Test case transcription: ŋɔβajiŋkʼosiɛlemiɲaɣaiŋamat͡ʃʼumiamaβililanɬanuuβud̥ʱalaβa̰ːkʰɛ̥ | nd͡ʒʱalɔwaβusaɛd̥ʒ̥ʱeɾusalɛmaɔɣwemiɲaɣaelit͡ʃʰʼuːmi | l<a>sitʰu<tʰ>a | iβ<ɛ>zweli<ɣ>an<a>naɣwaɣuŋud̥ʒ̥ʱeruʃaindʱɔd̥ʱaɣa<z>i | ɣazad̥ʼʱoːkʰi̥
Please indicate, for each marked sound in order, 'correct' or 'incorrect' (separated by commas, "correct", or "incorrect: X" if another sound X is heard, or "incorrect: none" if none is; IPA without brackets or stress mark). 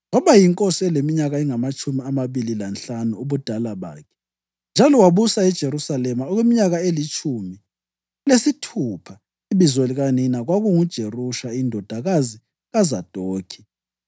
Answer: incorrect: e, incorrect: pʰ, incorrect: i, correct, incorrect: i, correct